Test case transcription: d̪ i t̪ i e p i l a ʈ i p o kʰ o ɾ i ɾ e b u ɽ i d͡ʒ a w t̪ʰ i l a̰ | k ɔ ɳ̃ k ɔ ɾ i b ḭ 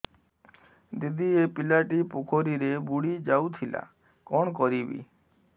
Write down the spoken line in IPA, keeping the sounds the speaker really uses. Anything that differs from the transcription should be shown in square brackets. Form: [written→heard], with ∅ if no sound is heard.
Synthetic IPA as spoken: d̪ i [t̪→d̪] i e p i l a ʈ i p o kʰ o ɾ i ɾ e b u ɽ i d͡ʒ a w t̪ʰ i l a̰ | k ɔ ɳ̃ k ɔ ɾ i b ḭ